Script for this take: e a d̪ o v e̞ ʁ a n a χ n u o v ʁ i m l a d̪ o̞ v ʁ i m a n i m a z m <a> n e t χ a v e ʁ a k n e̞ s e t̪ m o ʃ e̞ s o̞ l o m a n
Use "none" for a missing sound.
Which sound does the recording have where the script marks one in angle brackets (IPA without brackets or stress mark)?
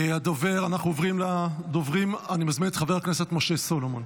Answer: i